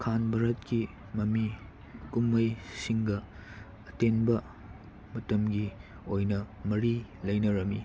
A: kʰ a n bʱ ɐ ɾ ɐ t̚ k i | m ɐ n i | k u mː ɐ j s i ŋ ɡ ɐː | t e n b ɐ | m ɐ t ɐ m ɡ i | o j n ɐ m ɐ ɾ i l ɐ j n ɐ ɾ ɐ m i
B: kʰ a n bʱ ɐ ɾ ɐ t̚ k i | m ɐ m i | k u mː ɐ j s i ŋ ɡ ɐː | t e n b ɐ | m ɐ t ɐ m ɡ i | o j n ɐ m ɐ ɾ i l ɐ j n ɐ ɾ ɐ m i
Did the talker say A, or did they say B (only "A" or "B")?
B